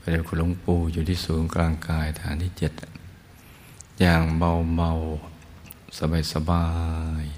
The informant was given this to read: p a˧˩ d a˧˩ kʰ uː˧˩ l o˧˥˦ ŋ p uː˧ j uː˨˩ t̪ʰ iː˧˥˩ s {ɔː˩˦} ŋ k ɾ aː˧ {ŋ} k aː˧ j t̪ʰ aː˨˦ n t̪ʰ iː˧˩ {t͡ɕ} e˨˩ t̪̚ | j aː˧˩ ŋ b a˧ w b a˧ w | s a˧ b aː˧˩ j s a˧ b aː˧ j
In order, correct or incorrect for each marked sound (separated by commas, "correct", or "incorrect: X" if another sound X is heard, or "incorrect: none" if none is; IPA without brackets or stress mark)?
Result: incorrect: uː˩˦, correct, correct